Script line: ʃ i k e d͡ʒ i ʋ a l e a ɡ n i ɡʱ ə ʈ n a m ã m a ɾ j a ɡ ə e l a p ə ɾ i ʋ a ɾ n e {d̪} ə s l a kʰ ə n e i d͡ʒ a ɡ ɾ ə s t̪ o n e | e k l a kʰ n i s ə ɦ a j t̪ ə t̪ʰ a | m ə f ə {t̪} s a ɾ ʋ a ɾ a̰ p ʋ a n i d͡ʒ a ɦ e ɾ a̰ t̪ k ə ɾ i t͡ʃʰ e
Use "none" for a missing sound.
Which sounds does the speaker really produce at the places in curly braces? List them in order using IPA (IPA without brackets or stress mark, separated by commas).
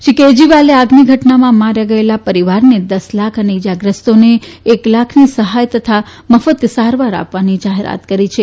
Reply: d̪, t̪